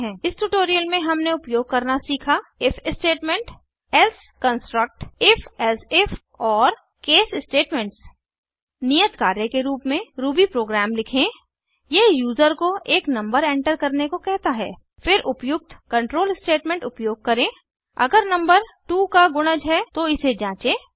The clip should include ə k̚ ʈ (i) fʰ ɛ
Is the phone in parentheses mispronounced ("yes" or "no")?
yes